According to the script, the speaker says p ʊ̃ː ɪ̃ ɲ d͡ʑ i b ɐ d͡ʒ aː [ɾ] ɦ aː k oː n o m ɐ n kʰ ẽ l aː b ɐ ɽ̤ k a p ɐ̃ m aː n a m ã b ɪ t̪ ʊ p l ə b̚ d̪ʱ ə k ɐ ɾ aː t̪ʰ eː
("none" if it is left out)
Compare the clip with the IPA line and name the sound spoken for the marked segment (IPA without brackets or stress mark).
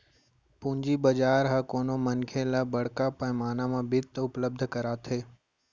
ɾ